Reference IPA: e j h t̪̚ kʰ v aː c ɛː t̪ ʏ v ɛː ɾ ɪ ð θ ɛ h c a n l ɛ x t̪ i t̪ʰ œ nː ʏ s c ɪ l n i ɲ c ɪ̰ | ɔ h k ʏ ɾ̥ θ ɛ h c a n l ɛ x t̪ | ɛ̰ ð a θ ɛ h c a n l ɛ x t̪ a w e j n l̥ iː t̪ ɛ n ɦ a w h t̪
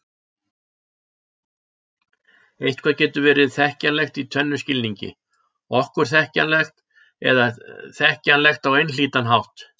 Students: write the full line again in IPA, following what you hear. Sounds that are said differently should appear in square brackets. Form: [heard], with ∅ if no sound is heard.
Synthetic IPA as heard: e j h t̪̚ kʰ v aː c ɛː t̪ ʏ v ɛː ɾ ɪ ð θ ɛ h c a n l ɛ x t̪ i t̪ʰ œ nː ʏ s c ɪ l n i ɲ c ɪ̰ | ɔ h k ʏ ɾ̥ θ ɛ h c a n l ɛ x t̪ | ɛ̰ ð a θ ɛ h c a n l ɛ x t̪ a w e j n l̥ iː t̪ [a] n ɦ a w h t̪